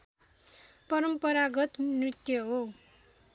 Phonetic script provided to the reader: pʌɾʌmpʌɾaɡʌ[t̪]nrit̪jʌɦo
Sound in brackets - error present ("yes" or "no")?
no